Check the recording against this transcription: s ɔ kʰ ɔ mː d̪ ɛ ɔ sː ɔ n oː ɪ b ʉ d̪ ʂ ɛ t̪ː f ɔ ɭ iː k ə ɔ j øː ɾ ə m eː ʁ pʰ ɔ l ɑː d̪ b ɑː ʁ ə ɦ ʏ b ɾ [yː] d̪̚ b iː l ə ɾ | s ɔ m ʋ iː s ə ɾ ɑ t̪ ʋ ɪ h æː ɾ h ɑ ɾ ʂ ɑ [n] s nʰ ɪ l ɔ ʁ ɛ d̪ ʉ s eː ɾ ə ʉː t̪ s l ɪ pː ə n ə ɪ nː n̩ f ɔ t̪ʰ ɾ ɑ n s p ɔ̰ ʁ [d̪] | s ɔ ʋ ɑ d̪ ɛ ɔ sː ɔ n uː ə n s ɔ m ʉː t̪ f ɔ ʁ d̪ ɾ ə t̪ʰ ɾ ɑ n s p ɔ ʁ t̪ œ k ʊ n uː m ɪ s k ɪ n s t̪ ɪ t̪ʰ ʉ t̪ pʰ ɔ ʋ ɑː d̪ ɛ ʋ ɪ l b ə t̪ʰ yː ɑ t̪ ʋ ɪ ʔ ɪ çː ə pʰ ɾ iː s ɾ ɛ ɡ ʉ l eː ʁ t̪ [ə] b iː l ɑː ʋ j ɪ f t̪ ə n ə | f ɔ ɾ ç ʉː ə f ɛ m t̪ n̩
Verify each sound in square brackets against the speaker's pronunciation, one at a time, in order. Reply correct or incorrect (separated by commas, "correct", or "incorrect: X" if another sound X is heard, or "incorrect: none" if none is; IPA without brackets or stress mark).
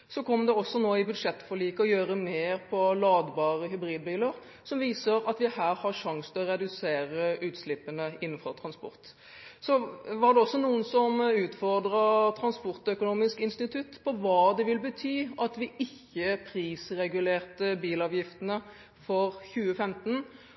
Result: incorrect: iː, incorrect: ŋ, incorrect: t̪, correct